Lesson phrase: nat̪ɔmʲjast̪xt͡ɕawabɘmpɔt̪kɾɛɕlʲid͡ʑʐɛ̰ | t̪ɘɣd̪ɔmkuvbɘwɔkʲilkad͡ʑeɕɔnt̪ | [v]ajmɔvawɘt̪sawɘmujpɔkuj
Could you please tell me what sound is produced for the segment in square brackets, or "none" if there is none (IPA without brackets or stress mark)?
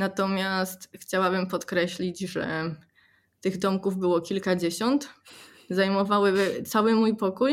z